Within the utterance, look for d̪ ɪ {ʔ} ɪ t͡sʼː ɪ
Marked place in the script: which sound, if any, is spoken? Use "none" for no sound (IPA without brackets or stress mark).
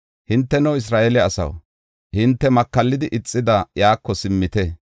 ʔ